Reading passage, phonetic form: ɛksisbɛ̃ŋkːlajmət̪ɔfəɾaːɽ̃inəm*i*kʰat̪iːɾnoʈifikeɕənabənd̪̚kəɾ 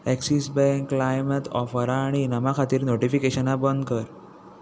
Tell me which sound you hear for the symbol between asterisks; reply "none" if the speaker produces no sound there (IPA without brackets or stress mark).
a